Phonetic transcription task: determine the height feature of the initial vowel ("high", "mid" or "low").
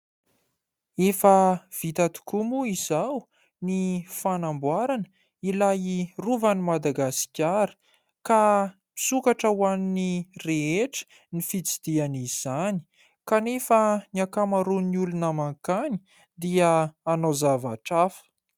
mid